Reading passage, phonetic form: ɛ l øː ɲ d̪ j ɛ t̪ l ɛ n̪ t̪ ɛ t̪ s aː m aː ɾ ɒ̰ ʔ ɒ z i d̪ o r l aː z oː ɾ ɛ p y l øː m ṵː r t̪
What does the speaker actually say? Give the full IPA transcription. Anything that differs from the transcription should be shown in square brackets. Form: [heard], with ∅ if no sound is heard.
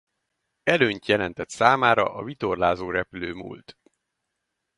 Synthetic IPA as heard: ɛ l øː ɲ [t̪] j ɛ [∅] l ɛ n̪ t̪ ɛ t̪ s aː m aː ɾ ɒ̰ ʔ ɒ [v] i [t̪] o r l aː z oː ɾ ɛ p y l øː m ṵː [l] t̪